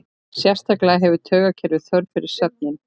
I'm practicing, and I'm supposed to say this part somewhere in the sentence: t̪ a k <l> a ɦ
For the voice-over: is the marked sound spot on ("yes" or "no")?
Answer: yes